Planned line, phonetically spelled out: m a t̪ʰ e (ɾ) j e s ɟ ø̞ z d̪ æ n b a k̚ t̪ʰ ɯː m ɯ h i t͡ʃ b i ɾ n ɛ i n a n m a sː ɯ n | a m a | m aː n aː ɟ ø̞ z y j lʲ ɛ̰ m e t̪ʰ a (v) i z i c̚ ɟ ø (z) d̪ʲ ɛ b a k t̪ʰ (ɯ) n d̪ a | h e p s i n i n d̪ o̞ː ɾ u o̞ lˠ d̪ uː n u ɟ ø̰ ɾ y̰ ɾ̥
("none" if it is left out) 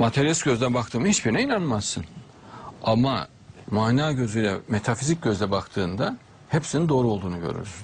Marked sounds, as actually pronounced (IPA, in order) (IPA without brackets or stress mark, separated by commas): ɾ, f, z, ɯː